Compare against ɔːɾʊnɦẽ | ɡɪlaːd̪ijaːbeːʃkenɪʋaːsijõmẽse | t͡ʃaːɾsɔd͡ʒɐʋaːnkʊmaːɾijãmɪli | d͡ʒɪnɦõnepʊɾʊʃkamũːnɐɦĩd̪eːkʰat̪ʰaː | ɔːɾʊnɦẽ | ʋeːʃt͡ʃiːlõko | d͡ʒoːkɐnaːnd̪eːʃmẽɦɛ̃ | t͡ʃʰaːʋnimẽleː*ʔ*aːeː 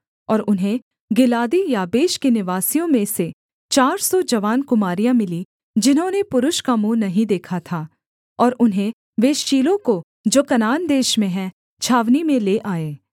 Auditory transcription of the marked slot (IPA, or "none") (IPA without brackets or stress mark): ʔ